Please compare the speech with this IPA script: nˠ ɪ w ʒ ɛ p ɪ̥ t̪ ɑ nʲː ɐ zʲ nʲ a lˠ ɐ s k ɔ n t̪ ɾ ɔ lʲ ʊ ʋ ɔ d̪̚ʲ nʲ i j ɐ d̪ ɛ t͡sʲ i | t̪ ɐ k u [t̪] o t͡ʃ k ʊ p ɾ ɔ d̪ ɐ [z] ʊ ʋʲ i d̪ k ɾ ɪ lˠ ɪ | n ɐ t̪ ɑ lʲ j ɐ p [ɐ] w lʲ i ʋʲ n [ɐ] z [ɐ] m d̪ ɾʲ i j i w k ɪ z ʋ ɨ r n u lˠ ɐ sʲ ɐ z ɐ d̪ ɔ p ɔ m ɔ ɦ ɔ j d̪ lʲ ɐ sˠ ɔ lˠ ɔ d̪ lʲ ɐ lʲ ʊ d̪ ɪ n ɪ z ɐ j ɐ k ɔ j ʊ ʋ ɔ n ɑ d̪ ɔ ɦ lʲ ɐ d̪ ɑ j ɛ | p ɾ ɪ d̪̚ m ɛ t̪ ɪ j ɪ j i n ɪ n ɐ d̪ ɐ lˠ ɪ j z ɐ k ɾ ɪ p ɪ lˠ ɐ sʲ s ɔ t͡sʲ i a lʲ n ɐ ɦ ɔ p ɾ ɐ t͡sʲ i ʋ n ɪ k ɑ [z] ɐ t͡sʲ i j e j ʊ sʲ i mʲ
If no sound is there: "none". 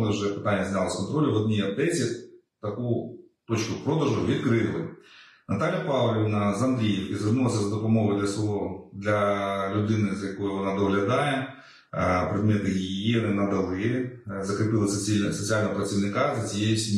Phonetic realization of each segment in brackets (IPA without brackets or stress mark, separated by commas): t̪, ʒ, ɑ, ɐ, ɐ, z